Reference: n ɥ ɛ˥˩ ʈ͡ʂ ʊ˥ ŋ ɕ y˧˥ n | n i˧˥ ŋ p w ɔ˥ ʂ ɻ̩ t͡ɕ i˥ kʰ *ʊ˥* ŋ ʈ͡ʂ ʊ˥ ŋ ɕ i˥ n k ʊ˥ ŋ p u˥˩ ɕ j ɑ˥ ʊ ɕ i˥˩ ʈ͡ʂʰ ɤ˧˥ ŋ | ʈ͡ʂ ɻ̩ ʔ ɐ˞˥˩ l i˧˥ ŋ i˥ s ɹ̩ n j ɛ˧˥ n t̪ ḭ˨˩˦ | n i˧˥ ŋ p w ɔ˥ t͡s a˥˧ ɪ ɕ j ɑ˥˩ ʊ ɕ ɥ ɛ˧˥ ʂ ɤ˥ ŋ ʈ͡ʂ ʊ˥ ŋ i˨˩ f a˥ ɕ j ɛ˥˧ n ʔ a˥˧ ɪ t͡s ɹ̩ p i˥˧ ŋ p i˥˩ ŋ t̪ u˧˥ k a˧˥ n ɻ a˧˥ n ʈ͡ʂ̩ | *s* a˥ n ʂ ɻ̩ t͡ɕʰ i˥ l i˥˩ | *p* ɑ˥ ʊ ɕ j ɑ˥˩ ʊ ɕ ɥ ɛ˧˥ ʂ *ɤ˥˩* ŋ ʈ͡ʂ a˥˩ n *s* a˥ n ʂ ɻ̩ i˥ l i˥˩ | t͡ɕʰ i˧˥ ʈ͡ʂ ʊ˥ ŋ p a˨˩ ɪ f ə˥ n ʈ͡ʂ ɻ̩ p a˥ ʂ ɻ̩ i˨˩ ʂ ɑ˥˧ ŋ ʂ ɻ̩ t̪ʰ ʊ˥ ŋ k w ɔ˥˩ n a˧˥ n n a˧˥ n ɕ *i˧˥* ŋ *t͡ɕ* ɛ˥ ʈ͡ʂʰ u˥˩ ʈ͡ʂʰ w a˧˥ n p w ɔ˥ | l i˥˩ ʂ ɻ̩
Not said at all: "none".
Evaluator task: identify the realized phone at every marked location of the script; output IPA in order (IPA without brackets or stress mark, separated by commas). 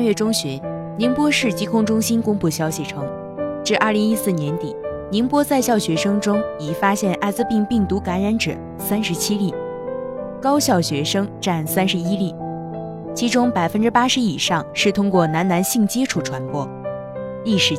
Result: ʊ˥, s, k, ɤ˥, s, i˥˩, t͡ɕ